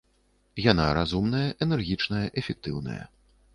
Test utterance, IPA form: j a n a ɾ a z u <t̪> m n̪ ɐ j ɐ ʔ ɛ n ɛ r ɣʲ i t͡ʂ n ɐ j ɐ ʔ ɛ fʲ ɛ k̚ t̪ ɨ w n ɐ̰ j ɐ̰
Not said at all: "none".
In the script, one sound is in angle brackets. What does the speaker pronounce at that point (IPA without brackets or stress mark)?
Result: none